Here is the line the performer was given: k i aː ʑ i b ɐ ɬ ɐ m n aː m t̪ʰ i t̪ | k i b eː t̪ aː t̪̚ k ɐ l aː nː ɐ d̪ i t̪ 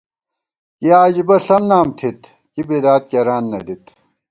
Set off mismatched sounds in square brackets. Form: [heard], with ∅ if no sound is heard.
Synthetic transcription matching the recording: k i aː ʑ i b ɐ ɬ ɐ m n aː m t̪ʰ i t̪ | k i b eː [d̪] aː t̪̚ k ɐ [ɾ] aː nː ɐ d̪ i t̪